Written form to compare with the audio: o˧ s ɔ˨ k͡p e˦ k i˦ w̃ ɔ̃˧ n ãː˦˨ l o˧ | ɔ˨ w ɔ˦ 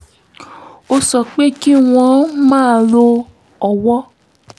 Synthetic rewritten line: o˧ s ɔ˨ k͡p e˦ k i˦ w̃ ɔ̃˧ m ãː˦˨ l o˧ | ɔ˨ w ɔ˦